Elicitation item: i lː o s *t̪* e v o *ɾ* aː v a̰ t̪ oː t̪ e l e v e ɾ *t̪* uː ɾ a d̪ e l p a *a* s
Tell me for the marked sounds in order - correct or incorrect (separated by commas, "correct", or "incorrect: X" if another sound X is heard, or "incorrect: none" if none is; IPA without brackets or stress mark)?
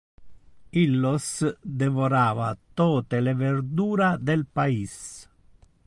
incorrect: d̪, correct, incorrect: d̪, incorrect: i